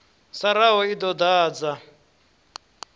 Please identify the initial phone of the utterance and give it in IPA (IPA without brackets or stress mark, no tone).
s